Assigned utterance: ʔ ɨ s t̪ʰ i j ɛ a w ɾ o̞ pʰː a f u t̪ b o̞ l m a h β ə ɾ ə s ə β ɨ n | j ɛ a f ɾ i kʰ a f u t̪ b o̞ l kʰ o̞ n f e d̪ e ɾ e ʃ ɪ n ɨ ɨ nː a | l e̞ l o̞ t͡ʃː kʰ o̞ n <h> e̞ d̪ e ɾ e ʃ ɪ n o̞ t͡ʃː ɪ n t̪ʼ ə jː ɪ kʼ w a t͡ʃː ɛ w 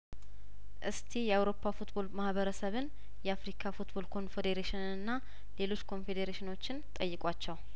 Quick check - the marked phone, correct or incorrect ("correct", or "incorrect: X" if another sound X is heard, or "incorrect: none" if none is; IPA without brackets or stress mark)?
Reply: incorrect: f